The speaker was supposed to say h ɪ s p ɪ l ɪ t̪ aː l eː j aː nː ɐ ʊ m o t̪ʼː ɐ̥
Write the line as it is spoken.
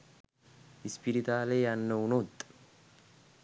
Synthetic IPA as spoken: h ɪ s p ɪ ɾ ɪ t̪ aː l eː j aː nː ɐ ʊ n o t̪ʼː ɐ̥